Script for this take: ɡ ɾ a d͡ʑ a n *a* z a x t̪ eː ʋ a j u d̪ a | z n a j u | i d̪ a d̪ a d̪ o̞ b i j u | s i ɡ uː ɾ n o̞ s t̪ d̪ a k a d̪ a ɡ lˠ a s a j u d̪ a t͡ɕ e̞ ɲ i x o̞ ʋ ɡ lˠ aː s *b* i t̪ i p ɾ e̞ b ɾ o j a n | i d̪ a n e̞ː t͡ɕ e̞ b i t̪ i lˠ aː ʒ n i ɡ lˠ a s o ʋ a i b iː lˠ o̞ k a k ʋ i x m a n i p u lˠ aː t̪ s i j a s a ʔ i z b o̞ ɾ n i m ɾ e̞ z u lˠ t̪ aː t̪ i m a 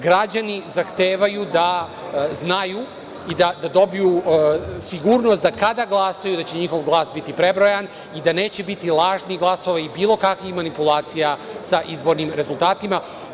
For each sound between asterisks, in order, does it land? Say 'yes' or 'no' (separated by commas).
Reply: no, yes